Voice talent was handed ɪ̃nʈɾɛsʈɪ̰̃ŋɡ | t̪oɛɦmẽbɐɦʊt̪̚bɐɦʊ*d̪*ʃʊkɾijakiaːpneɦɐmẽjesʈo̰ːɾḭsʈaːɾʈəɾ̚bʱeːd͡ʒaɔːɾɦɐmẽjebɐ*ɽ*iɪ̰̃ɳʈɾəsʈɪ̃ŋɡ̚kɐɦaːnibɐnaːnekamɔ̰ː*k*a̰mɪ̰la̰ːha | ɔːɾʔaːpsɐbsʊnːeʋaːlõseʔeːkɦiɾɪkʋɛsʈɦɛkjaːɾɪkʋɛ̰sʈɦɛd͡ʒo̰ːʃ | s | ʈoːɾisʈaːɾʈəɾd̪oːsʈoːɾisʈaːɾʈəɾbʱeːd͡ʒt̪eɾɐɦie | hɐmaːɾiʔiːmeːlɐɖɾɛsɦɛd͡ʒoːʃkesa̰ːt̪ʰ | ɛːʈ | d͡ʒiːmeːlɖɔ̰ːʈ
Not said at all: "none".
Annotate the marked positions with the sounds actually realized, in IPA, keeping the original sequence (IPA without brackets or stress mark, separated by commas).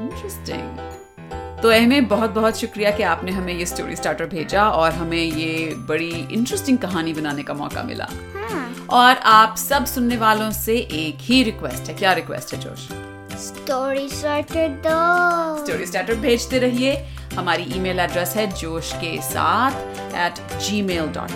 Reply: t̪, ɽ, k